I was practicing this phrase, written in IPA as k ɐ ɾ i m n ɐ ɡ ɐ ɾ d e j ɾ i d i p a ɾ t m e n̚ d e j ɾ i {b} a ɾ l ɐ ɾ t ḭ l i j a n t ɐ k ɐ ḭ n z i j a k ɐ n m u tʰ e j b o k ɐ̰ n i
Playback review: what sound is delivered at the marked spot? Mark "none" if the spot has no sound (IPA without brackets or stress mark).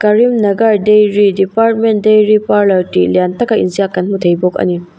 p